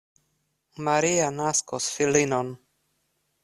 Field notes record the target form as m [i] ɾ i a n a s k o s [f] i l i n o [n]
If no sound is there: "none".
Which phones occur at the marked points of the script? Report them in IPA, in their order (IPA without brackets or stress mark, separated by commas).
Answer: a, f, n